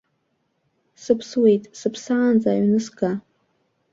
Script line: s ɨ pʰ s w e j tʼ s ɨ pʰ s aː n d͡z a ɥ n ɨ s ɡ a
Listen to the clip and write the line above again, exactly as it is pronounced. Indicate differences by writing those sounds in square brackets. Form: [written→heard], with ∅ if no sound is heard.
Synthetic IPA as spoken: s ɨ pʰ s w e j tʼ s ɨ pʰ s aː n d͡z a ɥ n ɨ s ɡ a